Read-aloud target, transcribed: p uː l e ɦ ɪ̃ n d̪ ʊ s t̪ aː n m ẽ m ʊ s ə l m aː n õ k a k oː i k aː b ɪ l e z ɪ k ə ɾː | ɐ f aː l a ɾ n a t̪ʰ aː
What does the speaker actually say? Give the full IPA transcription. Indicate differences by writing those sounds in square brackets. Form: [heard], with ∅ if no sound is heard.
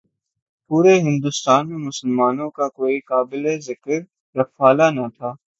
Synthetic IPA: p uː [ɾ] e ɦ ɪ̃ n d̪ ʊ s t̪ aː n m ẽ m ʊ s ə l m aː n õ k a k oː i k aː b ɪ l e z ɪ k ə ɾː | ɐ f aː l a [∅] n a t̪ʰ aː